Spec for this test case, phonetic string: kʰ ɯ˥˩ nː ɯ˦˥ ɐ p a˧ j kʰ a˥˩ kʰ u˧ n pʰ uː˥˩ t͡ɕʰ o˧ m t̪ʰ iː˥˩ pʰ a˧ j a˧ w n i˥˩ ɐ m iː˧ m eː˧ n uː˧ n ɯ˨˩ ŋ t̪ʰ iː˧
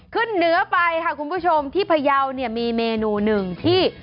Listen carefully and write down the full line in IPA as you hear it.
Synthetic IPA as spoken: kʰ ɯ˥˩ nː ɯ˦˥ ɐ p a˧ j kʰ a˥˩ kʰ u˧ n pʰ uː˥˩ t͡ɕʰ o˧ m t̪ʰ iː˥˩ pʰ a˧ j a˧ w n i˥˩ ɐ m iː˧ m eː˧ n uː˧ n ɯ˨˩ ŋ t̪ʰ iː˥˩